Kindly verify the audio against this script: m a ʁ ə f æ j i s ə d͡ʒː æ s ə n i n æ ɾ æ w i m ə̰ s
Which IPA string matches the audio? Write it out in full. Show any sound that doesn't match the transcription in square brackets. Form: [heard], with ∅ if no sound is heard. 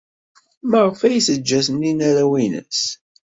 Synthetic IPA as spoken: m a ʁ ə f æ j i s ə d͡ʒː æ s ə n i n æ ɾ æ w i [n] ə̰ s